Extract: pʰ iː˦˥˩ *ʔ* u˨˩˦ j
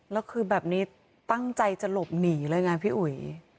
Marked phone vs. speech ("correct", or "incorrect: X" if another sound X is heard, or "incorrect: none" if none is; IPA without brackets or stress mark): correct